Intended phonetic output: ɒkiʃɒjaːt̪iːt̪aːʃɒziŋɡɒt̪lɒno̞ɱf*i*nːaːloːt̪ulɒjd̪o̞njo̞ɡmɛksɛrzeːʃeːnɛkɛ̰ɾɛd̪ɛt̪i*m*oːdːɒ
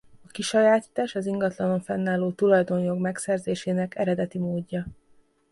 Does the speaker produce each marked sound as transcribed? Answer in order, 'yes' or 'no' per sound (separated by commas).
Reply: no, yes